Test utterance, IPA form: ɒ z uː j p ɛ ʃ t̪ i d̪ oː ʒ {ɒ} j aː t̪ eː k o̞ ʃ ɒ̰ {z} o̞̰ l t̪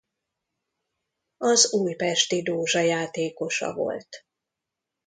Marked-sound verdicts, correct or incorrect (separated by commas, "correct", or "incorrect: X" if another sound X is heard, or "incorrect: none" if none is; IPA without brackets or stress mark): correct, incorrect: v